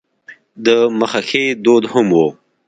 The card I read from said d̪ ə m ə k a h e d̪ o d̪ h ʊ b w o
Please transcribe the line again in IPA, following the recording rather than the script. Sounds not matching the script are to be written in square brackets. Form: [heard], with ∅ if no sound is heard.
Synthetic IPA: d̪ ə m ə [x] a [x] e d̪ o d̪ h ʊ [m] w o